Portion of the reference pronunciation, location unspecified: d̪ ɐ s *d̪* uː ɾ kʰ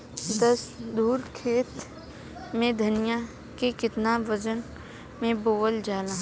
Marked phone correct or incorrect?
correct